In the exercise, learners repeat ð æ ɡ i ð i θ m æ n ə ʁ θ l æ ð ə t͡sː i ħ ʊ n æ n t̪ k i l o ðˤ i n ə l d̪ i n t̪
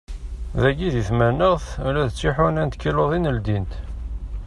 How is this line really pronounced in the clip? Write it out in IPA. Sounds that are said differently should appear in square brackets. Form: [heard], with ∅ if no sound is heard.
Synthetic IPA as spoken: ð æ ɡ i ð i θ m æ n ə ʁ θ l æ ð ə t͡sː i ħ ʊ n æ n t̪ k i l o ðˤ i n ə l d̪ i n t̪